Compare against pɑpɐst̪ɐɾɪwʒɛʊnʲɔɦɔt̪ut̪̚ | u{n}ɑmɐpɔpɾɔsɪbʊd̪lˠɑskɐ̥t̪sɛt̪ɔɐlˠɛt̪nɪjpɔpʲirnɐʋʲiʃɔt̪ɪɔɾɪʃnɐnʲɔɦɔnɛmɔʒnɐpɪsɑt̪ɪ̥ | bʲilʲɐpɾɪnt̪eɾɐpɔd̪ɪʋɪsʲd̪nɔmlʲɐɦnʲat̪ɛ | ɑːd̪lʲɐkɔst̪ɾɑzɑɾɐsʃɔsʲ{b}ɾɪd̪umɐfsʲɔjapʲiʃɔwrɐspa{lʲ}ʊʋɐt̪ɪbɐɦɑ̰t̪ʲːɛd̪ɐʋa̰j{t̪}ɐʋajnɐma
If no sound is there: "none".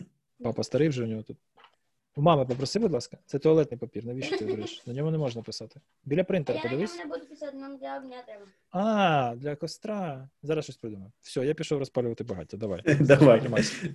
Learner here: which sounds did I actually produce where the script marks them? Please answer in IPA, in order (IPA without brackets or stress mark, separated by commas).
m, p, lʲ, d̪